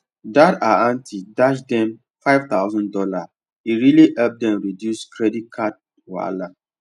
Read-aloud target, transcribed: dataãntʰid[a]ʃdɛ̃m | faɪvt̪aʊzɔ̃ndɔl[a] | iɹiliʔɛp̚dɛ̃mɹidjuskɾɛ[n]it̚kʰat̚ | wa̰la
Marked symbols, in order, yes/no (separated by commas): yes, yes, no